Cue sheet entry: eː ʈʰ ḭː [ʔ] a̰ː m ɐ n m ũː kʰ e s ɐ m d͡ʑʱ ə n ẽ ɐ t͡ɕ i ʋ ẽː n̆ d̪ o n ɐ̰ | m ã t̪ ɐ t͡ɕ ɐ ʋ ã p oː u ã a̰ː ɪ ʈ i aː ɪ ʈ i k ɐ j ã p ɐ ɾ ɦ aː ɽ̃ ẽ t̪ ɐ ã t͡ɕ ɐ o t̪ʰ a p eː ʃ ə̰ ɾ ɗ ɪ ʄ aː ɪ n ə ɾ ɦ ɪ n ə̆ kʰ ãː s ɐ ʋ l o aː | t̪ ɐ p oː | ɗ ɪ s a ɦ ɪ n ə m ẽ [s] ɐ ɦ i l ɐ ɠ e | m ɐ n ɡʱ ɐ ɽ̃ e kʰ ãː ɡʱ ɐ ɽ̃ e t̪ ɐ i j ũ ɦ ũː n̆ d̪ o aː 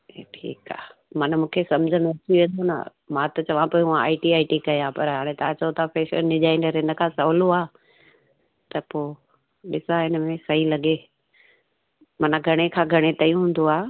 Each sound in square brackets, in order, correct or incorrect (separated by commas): incorrect, correct